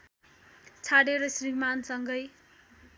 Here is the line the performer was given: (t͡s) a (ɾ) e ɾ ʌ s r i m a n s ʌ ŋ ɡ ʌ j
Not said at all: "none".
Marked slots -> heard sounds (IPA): t͡sʰ, ɽ

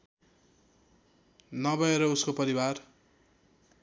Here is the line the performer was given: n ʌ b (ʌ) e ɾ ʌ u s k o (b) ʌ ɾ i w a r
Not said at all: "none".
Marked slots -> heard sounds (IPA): ʌ, p

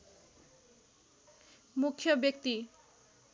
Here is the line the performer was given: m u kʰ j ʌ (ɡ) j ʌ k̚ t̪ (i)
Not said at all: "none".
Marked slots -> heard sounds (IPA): b, i

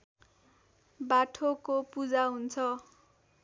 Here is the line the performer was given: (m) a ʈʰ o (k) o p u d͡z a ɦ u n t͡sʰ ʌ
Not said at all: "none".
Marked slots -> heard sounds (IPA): b, k

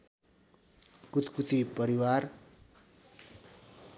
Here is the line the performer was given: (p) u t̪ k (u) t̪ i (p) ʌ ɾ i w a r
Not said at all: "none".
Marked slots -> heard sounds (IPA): k, u, p

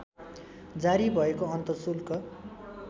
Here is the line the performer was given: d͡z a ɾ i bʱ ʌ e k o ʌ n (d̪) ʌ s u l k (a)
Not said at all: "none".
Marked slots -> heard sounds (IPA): t̪, ʌ

